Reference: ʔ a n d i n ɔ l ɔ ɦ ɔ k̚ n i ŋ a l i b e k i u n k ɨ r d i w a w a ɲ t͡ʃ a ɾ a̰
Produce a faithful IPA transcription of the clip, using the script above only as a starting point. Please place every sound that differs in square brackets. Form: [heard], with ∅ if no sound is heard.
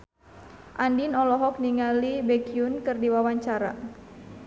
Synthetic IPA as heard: ʔ a n d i n ɔ l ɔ ɦ ɔ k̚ n i ŋ a l i b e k i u n k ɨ r d i w a w a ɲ t͡ʃ a ɾ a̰